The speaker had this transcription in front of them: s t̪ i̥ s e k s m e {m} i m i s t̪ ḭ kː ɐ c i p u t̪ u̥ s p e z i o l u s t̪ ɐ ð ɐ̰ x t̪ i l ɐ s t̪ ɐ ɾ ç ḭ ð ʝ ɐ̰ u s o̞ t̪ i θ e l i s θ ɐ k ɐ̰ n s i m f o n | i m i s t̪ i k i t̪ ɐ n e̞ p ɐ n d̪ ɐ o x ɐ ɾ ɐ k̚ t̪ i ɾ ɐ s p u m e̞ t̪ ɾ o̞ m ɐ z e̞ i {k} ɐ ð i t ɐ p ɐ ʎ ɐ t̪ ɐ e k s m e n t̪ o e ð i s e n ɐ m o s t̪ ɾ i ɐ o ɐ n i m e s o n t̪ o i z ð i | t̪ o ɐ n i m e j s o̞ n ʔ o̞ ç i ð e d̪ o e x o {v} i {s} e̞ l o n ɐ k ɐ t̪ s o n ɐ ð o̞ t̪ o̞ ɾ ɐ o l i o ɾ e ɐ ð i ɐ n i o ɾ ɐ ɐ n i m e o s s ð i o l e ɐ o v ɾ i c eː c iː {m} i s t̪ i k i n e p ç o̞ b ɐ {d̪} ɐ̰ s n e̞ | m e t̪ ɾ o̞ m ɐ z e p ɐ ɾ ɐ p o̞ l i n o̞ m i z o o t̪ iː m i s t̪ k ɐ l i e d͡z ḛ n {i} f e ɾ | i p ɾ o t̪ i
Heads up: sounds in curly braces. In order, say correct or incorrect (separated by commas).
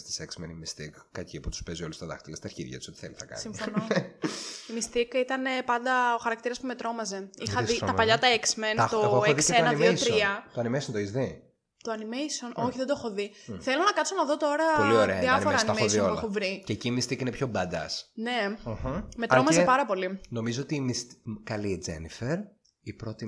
incorrect, incorrect, incorrect, incorrect, correct, correct, correct